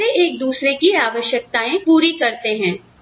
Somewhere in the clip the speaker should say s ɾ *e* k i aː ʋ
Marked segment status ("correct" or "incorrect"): correct